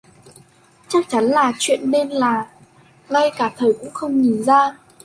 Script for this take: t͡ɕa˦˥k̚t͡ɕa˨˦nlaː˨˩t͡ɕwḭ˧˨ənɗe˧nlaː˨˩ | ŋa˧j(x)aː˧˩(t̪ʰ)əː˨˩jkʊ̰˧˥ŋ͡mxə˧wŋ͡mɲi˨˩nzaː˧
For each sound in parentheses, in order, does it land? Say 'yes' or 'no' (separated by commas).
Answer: no, yes